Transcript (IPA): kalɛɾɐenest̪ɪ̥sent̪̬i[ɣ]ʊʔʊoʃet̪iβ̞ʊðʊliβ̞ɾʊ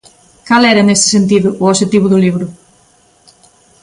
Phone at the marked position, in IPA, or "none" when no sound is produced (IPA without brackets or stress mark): ð